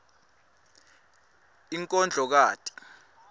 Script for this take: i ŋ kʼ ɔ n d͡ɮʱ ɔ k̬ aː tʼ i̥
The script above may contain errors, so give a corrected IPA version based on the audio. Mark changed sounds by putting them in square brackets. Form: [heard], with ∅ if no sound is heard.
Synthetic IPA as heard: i ŋ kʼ ɔ n d͡ɮʱ ɔ k̬ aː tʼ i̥